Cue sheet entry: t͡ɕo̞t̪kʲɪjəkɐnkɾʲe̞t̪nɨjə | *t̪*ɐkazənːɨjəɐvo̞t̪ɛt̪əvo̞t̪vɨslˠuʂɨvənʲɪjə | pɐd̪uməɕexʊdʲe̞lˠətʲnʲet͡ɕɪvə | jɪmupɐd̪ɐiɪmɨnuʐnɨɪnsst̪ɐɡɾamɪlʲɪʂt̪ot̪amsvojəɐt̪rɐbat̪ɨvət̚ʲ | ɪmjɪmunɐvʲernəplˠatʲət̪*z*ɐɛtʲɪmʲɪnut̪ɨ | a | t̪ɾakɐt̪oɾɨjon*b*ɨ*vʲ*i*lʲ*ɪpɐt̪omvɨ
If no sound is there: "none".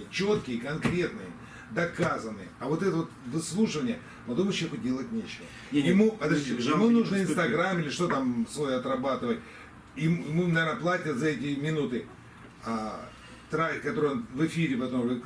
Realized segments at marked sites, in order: d̪, z, v, fʲ, ɾʲ

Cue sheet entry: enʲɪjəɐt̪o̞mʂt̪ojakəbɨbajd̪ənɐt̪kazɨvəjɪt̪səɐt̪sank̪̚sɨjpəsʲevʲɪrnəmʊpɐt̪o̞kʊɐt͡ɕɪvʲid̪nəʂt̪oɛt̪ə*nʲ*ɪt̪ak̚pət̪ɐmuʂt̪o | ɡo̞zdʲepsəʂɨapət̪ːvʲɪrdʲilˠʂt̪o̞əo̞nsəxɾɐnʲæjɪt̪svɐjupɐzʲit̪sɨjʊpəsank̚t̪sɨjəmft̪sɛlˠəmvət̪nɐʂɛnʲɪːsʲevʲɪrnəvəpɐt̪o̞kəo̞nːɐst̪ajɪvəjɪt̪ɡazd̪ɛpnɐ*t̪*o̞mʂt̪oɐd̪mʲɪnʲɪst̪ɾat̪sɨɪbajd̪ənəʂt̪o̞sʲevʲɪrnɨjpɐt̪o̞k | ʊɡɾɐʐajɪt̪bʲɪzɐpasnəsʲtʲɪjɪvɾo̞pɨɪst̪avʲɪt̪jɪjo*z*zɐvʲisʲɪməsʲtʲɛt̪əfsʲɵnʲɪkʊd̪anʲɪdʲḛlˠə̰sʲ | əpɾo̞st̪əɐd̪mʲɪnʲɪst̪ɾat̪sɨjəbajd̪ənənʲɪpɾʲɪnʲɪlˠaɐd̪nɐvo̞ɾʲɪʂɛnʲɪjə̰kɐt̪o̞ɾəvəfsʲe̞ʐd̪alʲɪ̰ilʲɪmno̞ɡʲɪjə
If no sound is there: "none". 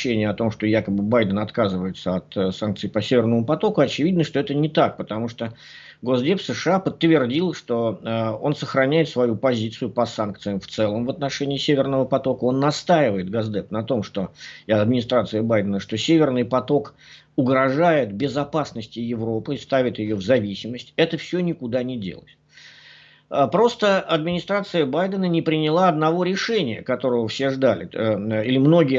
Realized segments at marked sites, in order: nʲ, t̪, v

